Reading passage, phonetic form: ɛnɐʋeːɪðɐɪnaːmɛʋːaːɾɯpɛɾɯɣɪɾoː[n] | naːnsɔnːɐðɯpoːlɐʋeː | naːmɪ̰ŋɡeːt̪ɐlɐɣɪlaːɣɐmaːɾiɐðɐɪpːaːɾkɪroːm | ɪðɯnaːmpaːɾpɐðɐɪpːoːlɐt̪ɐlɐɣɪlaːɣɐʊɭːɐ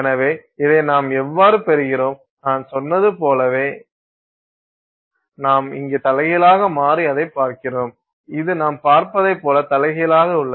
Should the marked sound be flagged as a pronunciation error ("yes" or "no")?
yes